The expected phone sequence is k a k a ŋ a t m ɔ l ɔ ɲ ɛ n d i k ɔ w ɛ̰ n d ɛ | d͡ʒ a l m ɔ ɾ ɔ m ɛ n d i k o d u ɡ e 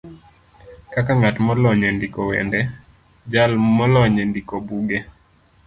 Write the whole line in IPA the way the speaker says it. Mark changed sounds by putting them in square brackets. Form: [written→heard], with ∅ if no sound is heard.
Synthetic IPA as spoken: k a k a ŋ a t m ɔ l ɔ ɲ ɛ n d i k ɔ w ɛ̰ n d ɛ | d͡ʒ a l m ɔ [ɾ→l] ɔ [m→ɲ] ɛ n d i k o [d→b] u ɡ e